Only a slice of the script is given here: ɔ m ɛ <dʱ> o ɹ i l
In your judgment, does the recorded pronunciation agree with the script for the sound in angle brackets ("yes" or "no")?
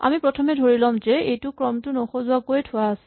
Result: yes